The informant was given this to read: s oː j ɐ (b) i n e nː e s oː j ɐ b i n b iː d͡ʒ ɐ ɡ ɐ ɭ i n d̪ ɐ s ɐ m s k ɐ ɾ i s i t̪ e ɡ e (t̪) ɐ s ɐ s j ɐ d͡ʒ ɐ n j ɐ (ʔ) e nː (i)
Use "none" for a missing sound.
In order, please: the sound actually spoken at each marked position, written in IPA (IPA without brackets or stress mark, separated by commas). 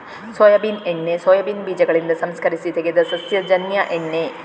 b, d̪, ʔ, e